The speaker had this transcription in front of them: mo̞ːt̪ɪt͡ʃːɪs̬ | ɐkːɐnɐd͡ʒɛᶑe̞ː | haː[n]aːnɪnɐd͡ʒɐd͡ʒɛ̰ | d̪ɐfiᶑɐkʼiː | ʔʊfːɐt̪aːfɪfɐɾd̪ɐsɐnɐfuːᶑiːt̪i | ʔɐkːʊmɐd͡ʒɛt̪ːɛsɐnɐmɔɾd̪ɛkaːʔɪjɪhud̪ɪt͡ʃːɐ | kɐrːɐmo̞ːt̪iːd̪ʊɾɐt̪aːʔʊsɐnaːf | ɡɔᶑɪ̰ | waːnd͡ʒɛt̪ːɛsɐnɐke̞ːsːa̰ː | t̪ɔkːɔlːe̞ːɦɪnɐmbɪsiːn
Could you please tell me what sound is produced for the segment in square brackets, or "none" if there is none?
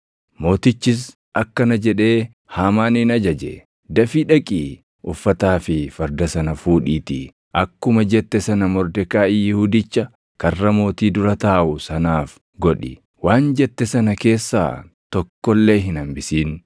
m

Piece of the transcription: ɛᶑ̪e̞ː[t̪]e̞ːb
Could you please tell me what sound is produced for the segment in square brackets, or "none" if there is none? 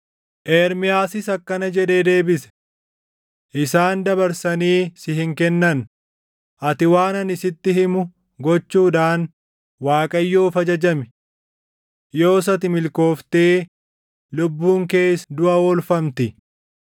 d̪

